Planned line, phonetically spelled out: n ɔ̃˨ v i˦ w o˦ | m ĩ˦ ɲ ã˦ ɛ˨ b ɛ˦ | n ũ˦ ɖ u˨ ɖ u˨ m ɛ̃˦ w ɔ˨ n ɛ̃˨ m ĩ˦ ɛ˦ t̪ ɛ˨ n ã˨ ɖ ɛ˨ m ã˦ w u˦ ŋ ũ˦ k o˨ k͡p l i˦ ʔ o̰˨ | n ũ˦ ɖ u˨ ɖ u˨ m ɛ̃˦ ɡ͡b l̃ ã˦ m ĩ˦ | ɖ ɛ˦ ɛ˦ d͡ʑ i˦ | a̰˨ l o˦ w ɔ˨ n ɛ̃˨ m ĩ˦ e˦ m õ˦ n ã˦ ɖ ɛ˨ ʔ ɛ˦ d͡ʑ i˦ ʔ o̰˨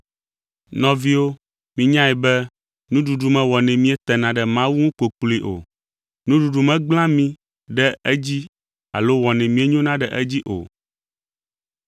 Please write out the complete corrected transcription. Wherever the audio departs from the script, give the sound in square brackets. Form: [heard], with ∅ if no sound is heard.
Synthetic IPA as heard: n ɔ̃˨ v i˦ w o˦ | m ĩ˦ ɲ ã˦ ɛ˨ b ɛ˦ | n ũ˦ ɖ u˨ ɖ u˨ m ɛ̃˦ w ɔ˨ n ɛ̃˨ m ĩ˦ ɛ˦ t̪ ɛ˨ n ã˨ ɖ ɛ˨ m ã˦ w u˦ ŋ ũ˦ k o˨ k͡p l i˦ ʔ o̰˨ | n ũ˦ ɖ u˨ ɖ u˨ m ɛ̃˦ ɡ͡b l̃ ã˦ m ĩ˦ | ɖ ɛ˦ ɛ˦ d͡ʑ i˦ | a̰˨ l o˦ w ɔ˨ n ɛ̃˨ m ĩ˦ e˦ [ɲ] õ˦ n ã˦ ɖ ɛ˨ ʔ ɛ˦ d͡ʑ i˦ ʔ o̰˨

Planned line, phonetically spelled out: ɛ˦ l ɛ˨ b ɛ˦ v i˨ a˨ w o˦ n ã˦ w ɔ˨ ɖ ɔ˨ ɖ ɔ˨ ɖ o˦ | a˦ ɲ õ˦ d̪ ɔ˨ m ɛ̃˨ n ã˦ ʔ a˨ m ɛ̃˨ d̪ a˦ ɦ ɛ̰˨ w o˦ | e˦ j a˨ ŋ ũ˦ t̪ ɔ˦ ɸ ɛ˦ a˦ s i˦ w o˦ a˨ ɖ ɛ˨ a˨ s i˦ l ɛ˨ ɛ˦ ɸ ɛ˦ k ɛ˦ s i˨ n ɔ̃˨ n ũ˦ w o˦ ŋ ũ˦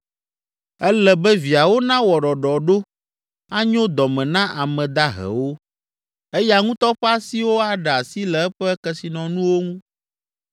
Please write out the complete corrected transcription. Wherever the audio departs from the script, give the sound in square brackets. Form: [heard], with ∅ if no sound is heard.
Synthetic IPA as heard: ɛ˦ l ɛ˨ b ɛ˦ v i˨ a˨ w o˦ n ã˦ w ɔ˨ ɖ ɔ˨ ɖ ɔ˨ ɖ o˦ | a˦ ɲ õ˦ d̪ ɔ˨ m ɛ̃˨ n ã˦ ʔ a˨ m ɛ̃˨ d̪ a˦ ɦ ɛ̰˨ w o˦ | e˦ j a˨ ŋ ũ˦ t̪ ɔ˦ ɸ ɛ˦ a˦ s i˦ w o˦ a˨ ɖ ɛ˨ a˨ s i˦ l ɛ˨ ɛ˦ ɸ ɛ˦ k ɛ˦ s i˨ n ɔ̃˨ n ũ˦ w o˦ ŋ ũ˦

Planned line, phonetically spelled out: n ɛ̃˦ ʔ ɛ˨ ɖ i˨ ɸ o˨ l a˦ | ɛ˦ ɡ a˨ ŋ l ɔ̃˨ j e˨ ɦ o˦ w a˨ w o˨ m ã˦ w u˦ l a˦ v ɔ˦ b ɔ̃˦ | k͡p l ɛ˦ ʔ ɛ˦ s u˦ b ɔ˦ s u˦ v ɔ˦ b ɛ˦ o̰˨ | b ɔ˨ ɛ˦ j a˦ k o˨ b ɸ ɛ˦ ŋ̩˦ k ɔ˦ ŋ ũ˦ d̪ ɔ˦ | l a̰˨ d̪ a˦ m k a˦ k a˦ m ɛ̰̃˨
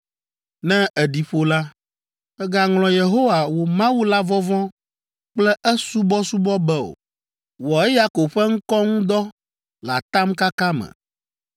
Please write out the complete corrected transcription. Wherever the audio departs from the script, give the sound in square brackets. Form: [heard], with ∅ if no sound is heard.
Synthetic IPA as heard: n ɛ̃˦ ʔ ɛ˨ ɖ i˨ ɸ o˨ l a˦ | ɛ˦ ɡ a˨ ŋ l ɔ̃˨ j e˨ ɦ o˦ w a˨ w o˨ m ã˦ w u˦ l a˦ v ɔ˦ [v] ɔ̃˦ | k͡p l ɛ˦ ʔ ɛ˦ s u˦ b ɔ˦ s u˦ [b] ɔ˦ b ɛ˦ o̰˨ | [w] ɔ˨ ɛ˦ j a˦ k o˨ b ɸ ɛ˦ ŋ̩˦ k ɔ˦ ŋ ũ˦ d̪ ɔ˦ | l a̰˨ [t̪] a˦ m k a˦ k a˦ m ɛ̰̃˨

